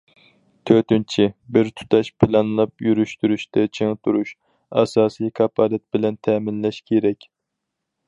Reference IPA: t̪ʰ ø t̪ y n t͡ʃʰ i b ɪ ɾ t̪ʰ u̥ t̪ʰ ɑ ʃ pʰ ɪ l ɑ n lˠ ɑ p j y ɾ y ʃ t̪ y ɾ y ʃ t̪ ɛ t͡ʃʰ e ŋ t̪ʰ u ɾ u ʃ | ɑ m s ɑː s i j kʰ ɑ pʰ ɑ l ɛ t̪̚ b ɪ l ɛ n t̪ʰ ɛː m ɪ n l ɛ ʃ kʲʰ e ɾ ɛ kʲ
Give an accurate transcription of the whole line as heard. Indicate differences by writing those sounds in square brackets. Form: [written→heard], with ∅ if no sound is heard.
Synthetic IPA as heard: t̪ʰ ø t̪ y n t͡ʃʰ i b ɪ ɾ t̪ʰ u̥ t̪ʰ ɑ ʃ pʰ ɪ l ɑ n lˠ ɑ p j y ɾ y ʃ t̪ y ɾ y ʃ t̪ ɛ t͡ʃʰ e ŋ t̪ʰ u ɾ u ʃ | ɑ [m→∅] s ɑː s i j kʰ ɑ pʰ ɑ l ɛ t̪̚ b ɪ l ɛ n t̪ʰ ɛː m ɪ n l ɛ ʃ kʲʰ e ɾ ɛ kʲ